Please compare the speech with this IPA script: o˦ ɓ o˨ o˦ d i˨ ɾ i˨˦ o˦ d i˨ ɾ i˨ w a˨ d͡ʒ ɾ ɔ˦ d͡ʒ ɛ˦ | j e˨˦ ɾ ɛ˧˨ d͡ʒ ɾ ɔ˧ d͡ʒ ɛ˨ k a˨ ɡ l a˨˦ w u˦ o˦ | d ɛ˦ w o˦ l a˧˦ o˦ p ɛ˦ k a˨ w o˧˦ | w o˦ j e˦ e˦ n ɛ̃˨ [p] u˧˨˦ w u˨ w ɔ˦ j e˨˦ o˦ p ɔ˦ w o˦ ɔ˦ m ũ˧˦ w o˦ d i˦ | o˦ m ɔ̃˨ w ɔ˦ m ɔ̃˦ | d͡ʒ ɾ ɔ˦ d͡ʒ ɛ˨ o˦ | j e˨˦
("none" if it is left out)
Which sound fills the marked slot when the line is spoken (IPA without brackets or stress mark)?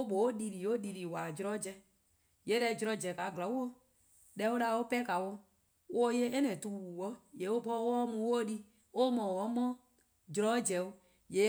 t